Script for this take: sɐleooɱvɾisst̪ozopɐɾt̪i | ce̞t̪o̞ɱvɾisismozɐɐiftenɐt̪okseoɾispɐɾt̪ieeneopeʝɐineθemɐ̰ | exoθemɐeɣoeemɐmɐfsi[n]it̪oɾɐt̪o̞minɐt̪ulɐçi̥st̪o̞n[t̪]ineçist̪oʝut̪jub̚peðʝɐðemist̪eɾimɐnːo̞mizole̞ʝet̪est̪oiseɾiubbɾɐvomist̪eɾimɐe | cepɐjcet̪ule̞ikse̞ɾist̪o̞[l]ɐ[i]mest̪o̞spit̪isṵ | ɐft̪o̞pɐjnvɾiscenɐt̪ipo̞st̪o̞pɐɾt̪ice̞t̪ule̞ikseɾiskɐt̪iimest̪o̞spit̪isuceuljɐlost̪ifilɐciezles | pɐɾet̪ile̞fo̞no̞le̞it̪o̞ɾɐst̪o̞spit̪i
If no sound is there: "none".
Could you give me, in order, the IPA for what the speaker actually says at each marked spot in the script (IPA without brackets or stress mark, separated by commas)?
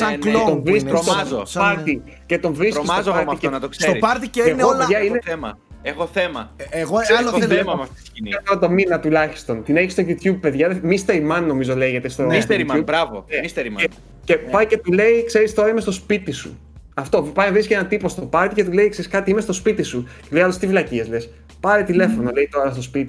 n, t̪, ɾ, i